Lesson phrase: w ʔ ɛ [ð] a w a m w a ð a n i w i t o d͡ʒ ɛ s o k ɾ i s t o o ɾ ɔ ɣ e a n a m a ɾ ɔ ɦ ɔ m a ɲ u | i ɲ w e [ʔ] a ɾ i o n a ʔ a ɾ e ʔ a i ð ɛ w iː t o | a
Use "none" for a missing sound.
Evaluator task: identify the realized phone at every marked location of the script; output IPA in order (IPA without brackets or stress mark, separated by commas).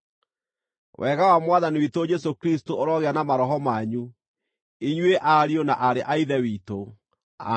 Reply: ɣ, ʔ